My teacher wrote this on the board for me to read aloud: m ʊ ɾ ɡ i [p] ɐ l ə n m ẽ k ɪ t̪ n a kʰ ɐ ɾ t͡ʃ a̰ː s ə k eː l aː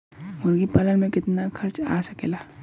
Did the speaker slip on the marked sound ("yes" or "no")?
no